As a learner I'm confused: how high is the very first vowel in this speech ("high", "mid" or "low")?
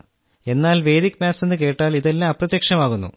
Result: mid